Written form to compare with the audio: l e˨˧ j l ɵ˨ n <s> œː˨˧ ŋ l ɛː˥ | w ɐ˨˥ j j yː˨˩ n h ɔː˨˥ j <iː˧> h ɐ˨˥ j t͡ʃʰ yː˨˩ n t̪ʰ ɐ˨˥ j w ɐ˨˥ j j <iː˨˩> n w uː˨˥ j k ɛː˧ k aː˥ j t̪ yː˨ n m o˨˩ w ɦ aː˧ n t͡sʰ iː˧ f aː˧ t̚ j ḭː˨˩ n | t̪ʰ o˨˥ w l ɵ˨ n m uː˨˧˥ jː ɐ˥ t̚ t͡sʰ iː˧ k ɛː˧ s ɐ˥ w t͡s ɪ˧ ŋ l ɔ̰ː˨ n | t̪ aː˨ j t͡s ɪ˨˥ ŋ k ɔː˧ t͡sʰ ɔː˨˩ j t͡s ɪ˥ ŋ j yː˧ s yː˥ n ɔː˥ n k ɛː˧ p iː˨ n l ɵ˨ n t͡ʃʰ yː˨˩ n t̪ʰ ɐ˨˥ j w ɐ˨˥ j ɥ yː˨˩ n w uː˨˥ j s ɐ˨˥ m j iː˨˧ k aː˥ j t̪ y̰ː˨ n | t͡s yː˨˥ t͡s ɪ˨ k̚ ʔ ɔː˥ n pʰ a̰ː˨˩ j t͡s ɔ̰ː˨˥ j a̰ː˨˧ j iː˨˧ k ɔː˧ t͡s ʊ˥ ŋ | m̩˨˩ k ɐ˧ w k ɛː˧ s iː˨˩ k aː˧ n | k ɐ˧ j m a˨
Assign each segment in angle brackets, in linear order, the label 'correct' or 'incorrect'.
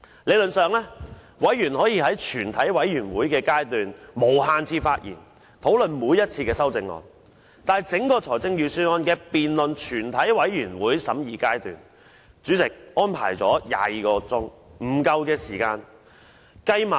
correct, correct, incorrect

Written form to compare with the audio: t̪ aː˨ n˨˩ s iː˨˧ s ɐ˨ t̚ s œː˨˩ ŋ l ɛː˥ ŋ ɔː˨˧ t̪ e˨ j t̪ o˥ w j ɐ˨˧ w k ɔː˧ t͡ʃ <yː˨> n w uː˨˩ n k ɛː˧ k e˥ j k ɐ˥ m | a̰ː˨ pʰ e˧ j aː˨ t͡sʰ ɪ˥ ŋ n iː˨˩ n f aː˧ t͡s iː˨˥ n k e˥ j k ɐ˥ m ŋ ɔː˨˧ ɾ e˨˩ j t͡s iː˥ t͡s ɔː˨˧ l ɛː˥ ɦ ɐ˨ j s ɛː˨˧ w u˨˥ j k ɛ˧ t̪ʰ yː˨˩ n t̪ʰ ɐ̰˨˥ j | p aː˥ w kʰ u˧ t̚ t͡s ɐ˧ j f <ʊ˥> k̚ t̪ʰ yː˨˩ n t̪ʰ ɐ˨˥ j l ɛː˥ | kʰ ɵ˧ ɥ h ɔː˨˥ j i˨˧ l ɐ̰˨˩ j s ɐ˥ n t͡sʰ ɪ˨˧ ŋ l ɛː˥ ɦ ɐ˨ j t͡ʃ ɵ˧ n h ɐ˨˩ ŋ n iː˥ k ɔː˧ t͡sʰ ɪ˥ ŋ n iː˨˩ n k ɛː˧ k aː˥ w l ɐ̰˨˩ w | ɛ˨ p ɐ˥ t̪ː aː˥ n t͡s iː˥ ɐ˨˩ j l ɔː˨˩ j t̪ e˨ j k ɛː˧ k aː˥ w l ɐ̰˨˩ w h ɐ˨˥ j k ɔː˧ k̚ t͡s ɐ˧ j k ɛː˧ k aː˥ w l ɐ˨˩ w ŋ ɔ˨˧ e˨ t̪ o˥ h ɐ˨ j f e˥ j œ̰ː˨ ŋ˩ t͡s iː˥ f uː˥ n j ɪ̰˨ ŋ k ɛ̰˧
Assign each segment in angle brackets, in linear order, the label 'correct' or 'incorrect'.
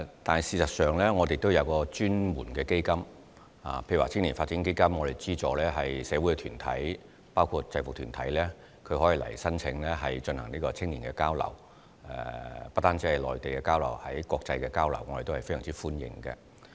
incorrect, incorrect

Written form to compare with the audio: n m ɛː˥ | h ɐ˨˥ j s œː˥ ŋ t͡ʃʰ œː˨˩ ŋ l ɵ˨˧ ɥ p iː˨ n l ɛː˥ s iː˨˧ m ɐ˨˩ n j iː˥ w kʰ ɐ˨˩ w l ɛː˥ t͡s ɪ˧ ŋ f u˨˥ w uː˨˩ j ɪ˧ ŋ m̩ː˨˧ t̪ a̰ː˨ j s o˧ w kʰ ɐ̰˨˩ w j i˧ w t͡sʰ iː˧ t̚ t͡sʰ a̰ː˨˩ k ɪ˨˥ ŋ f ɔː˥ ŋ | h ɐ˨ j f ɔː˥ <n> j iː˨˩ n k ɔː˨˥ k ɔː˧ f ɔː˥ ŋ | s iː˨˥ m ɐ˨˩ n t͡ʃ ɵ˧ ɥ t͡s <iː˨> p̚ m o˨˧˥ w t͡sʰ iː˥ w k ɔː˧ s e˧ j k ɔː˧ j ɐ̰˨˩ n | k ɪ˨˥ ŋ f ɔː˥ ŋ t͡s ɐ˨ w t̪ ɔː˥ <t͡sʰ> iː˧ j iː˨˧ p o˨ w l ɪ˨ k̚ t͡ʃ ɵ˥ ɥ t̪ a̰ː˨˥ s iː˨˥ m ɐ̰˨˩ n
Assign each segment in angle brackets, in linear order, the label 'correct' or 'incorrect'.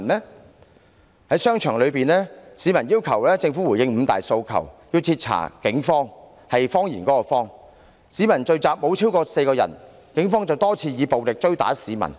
incorrect, incorrect, correct

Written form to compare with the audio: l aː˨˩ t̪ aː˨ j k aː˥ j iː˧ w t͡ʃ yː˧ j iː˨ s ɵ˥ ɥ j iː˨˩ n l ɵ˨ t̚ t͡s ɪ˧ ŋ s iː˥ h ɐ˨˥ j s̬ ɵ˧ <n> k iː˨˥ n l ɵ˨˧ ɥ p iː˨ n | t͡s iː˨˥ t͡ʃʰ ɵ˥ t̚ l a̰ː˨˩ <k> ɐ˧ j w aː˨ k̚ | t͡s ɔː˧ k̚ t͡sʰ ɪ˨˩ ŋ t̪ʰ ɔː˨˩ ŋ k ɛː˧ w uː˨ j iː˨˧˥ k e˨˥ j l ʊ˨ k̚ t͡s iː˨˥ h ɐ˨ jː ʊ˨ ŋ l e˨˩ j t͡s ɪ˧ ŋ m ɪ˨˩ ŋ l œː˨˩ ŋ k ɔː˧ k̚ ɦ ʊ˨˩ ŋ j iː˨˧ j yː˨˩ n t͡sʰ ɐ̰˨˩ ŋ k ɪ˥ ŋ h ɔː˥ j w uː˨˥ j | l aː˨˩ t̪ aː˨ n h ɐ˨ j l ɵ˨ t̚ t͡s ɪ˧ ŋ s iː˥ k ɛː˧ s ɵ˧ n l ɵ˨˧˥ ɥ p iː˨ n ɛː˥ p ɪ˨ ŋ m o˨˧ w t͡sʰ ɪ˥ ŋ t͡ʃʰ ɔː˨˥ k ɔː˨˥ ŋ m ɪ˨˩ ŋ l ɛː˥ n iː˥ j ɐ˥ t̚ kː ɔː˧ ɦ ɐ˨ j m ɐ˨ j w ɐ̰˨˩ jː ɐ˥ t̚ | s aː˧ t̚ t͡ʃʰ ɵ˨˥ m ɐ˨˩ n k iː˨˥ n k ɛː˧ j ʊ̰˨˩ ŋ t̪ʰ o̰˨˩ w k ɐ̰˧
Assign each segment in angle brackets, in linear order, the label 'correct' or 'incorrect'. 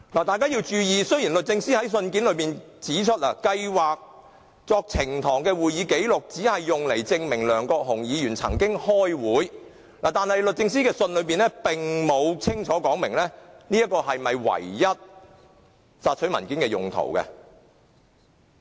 correct, correct

